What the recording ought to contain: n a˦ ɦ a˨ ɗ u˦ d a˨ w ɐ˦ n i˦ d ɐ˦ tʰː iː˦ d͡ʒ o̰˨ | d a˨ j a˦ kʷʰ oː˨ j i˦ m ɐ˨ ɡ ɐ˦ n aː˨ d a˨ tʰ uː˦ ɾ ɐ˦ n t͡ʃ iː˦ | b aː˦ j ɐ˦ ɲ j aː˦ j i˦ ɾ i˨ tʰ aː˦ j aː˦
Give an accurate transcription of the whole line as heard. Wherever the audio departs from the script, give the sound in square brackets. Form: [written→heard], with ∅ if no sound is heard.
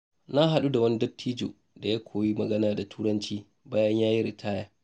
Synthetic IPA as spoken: n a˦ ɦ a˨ ɗ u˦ d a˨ w ɐ˦ n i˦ d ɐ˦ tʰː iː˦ d͡ʒ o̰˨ | d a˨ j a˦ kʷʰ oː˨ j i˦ m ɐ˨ ɡ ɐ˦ n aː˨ d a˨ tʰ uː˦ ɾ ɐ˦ n t͡ʃ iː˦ | b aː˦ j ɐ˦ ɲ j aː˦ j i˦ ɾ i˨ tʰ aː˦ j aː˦